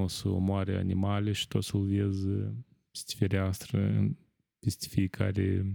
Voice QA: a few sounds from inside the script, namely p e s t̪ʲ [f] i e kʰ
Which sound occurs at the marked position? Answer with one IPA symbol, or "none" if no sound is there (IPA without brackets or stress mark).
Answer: f